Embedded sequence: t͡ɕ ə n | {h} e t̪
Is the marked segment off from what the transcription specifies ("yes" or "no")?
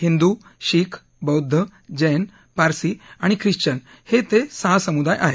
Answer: no